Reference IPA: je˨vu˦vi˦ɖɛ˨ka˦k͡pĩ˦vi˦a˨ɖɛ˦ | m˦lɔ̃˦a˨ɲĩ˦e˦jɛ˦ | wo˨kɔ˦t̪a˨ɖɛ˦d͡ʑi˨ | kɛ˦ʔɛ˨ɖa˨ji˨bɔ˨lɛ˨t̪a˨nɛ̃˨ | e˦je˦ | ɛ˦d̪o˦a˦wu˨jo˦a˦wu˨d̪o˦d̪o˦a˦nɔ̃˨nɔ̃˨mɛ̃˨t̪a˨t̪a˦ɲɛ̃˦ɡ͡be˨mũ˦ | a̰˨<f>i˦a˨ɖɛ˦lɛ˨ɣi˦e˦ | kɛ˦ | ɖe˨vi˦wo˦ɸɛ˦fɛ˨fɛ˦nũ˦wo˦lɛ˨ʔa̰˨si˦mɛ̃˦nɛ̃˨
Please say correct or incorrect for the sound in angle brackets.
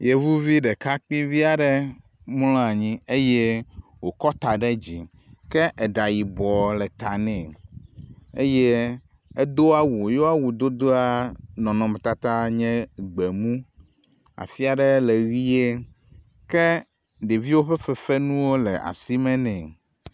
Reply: correct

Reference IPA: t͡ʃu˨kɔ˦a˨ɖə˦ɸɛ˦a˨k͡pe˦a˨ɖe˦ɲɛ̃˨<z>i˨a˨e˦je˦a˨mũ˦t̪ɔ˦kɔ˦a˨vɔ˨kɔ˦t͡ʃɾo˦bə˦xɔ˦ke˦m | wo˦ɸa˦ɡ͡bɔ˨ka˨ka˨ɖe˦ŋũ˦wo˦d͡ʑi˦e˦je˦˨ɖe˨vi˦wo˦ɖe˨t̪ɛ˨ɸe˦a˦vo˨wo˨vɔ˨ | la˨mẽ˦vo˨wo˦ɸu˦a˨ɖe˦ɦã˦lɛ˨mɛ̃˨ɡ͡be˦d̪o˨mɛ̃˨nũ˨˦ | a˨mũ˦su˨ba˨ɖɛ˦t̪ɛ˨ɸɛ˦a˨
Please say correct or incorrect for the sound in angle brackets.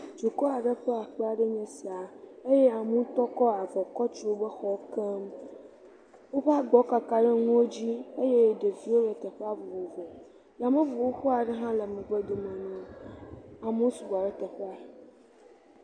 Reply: incorrect: s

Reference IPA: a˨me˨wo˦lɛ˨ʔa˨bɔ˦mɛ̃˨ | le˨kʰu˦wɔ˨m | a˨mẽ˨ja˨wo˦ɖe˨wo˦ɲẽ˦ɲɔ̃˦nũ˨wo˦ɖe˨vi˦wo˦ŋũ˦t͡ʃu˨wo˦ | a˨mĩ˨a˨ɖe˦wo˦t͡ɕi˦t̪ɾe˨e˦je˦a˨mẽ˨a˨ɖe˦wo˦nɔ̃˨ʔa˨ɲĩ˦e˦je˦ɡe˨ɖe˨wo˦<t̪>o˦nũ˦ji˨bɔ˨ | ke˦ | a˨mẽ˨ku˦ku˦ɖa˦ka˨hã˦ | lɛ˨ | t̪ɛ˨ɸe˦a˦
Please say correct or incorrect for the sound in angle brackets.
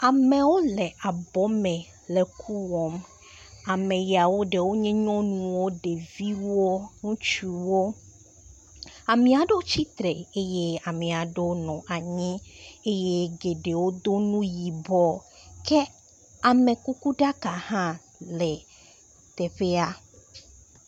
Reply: incorrect: d̪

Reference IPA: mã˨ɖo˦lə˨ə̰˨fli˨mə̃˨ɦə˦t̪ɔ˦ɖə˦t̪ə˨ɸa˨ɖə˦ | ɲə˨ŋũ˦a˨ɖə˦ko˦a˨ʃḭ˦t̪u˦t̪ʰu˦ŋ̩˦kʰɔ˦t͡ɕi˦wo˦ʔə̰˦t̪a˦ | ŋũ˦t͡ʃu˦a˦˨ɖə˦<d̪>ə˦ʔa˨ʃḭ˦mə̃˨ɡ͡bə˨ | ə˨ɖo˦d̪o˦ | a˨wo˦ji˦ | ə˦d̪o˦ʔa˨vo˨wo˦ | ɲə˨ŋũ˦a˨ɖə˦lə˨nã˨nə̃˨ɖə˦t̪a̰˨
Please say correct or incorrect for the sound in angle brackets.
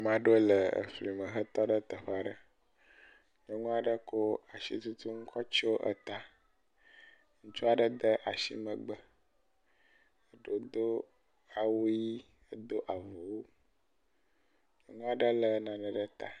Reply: correct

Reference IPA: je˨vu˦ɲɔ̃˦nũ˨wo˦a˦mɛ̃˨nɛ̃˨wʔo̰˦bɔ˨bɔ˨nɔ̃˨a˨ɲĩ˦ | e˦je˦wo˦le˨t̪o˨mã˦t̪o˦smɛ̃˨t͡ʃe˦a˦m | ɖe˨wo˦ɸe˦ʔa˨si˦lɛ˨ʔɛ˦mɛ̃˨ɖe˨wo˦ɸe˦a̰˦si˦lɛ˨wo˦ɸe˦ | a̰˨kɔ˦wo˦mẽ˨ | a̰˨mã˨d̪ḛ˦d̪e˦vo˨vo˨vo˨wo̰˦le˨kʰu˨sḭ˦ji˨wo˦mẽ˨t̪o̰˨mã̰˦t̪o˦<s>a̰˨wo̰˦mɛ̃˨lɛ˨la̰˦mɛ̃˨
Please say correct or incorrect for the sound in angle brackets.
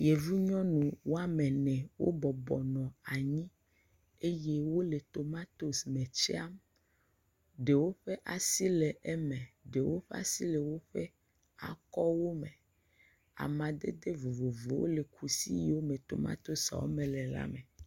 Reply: correct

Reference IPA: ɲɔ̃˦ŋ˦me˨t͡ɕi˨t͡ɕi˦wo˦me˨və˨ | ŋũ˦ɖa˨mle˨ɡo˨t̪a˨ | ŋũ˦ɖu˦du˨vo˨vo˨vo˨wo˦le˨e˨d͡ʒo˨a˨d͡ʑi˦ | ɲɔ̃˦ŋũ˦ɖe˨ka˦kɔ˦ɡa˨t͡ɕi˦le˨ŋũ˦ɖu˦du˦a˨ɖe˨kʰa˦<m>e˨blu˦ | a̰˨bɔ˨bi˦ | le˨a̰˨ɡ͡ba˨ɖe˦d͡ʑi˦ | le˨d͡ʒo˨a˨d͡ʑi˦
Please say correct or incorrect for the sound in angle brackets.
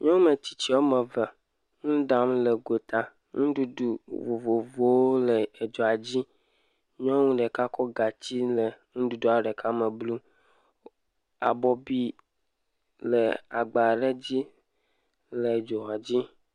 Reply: correct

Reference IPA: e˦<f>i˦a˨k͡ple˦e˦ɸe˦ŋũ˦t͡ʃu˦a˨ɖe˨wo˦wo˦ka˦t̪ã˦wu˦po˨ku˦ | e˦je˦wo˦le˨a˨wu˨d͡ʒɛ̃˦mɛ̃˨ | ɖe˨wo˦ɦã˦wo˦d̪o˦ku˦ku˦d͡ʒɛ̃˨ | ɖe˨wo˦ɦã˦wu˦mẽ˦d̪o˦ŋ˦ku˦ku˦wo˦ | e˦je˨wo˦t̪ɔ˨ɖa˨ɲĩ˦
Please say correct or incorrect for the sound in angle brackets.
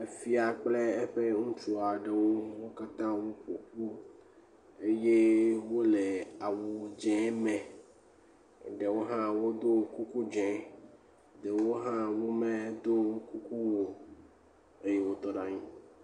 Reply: correct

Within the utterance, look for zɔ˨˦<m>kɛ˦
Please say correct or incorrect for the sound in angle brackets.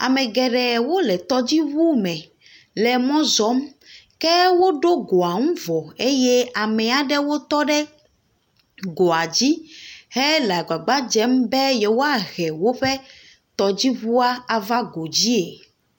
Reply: correct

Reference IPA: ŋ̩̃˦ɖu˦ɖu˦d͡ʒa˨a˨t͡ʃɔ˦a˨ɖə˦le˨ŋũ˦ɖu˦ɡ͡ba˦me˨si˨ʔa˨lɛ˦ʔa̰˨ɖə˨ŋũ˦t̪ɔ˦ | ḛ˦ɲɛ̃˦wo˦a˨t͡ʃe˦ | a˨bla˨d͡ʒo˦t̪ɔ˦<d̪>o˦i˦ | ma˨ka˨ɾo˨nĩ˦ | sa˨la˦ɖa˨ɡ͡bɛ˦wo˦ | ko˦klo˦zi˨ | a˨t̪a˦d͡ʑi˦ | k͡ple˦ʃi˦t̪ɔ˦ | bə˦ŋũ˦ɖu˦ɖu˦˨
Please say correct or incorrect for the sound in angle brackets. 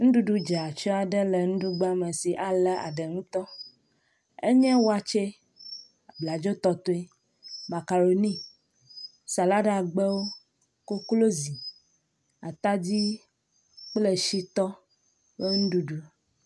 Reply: incorrect: t̪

